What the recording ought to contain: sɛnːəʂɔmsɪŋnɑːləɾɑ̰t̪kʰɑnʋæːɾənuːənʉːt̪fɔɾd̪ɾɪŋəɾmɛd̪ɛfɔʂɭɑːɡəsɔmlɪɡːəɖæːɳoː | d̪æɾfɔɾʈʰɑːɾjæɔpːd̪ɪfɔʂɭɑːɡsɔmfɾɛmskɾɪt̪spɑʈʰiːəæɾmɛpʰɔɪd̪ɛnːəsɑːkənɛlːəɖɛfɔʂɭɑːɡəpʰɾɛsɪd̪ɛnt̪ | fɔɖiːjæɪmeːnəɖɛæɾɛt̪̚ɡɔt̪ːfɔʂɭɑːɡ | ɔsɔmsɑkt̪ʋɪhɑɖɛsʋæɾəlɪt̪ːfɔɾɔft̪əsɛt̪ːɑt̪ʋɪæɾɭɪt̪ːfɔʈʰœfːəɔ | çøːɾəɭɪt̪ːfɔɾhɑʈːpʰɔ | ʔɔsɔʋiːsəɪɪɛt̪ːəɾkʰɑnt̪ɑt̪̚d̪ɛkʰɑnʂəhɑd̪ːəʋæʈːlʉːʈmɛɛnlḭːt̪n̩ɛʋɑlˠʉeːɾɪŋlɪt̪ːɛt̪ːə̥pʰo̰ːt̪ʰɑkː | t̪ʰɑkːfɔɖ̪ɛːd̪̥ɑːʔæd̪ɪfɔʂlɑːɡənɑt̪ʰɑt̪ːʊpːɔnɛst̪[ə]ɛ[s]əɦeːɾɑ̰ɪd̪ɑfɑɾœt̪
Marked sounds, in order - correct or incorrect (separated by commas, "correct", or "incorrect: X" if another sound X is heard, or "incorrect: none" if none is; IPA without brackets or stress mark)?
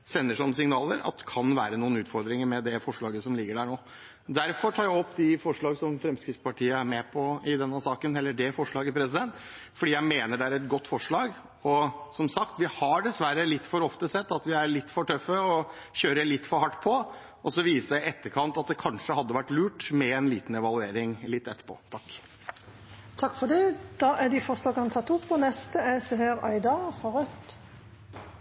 correct, correct